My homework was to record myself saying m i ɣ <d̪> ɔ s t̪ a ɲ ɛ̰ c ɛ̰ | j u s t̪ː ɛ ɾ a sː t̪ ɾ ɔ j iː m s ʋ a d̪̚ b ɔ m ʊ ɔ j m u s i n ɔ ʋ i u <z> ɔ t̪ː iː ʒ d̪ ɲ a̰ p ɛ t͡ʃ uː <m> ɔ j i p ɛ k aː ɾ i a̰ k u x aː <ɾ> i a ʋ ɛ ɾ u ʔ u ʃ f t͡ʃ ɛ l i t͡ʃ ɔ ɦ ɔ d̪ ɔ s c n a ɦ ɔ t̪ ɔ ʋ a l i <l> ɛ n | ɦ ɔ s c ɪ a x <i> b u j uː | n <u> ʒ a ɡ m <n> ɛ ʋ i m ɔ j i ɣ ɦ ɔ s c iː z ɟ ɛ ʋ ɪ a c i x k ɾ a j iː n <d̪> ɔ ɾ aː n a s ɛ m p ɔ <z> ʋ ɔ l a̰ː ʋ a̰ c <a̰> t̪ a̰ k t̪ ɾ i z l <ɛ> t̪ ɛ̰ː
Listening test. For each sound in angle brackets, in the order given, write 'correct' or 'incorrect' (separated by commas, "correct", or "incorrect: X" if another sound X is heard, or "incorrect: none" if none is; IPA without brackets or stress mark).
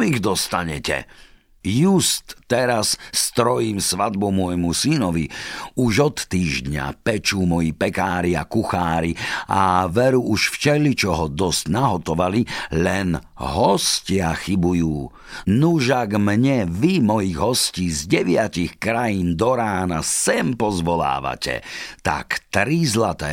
correct, incorrect: ʒ, correct, correct, correct, correct, correct, incorrect: ɲ, correct, correct, incorrect: ɛ̰, incorrect: a